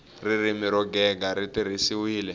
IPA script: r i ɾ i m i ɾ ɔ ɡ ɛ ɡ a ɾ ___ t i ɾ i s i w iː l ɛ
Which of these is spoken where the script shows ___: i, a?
i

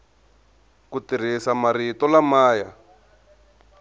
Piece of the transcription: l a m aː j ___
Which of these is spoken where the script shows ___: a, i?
a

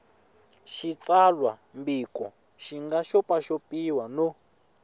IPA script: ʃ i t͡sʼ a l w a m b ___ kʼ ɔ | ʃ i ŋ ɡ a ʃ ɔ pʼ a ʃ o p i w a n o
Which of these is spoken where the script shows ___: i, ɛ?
i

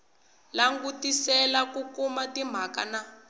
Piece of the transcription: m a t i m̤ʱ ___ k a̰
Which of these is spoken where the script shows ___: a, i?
a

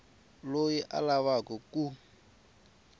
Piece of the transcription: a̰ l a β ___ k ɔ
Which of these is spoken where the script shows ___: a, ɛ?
a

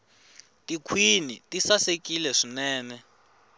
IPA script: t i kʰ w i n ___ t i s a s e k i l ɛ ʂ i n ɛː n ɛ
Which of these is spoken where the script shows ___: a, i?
i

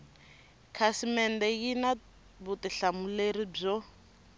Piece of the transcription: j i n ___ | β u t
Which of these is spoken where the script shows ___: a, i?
a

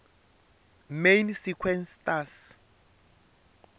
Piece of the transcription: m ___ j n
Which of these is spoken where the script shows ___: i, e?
e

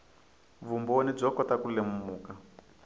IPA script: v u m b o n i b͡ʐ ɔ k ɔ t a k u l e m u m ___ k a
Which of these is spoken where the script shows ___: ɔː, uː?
uː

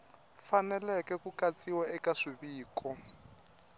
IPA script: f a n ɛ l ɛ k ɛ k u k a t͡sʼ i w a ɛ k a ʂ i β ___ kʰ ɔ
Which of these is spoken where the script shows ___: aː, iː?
iː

